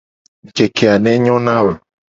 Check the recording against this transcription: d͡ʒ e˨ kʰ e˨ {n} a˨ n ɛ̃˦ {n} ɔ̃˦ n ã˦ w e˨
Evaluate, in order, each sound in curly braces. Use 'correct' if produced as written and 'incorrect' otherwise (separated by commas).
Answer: incorrect, incorrect